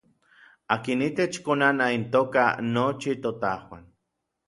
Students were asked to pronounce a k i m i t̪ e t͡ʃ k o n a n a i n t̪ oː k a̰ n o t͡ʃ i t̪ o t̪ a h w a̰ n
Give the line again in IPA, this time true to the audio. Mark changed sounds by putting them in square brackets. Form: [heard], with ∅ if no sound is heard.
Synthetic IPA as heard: a k i [n] i t̪ e t͡ʃ k o n a n a i n t̪ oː k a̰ n o t͡ʃ i t̪ o t̪ a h w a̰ n